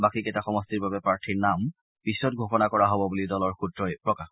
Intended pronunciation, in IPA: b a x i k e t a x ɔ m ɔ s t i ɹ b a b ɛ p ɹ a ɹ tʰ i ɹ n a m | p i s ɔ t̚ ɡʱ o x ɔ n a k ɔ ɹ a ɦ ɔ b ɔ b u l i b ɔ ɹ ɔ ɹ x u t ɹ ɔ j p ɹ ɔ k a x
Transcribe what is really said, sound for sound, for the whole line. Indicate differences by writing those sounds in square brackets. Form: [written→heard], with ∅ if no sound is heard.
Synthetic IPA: b a [x→k] i k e t a x ɔ m ɔ s t i ɹ b a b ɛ p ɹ a ɹ tʰ i ɹ n a m | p i s ɔ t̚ ɡʱ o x ɔ n a k ɔ ɹ a ɦ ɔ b ɔ b u l i [b→d] ɔ [ɹ→l] ɔ ɹ x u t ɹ ɔ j p ɹ ɔ k a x